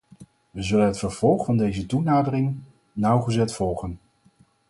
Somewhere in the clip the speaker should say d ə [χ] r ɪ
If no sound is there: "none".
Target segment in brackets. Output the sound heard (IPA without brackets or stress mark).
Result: none